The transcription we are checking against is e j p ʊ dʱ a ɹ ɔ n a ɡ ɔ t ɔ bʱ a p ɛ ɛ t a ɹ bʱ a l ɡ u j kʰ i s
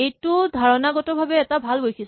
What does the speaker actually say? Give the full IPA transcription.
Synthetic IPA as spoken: e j t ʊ dʱ a ɹ ɔ n a ɡ ɔ t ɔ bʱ a b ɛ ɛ t a bʱ a l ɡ o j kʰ i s